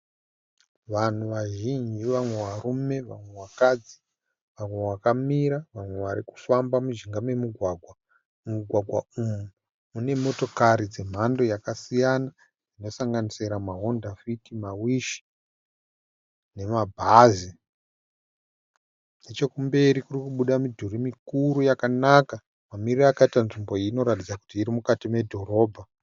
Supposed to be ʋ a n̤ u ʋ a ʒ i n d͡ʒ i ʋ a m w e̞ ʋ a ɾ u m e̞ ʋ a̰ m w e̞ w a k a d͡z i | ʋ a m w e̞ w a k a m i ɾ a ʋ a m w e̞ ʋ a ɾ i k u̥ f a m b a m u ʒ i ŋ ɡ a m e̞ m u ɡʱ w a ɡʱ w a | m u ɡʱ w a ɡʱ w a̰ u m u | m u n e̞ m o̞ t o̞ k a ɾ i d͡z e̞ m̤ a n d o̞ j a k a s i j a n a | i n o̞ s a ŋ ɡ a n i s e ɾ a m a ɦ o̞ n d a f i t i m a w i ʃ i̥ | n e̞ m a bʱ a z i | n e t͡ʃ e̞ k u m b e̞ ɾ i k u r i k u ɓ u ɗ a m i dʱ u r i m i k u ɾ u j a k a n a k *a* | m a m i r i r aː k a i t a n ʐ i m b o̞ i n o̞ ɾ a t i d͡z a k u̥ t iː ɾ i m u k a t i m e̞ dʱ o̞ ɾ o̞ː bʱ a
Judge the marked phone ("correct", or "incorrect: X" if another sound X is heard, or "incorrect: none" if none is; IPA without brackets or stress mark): correct